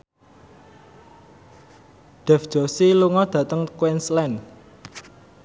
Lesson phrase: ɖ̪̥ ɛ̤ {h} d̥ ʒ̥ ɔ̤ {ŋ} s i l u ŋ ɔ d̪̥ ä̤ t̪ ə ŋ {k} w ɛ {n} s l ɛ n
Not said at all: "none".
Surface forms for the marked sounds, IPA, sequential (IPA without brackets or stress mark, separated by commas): f, none, k, n